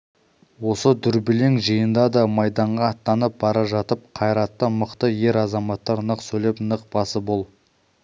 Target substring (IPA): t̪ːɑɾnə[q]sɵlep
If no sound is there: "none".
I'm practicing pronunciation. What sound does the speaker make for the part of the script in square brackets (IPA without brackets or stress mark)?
q